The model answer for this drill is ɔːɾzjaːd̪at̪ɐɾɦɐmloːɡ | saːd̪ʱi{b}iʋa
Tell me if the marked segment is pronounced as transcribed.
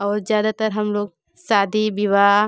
yes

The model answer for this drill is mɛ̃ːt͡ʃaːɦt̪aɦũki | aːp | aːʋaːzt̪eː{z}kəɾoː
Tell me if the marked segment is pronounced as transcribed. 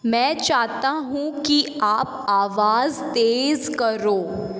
yes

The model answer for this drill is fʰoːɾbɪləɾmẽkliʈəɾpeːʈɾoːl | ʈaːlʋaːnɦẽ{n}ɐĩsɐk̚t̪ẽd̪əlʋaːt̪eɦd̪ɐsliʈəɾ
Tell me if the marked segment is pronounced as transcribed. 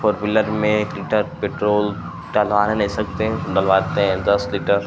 yes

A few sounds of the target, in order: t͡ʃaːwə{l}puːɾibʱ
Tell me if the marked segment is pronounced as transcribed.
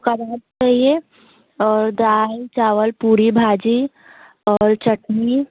yes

